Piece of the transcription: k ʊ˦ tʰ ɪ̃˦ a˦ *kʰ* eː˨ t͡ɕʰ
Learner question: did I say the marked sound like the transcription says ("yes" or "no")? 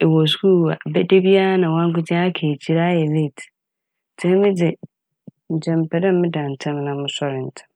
yes